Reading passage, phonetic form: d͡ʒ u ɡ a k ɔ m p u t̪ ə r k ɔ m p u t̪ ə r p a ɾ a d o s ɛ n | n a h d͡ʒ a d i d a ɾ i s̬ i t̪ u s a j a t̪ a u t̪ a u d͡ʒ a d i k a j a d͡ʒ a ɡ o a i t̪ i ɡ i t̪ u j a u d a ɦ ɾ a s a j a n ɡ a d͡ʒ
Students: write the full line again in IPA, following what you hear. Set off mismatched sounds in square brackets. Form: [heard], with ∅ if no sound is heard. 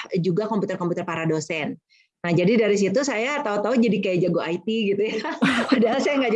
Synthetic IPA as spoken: d͡ʒ u ɡ a k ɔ m p u t̪ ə r k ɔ m p u t̪ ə r p a ɾ a d o s ɛ n | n a h d͡ʒ a d i d a ɾ i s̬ i t̪ u s a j a t̪ a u t̪ a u d͡ʒ a d i k a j a d͡ʒ a ɡ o a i t̪ i ɡ i t̪ u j a u d a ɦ [l] a s a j a [ŋ] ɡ a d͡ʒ